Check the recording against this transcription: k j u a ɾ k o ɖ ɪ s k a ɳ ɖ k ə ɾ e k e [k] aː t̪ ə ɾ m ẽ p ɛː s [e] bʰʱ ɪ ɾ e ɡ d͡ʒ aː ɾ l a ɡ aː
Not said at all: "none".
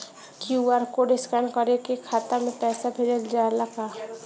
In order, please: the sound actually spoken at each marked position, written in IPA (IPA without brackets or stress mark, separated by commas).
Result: kʰ, a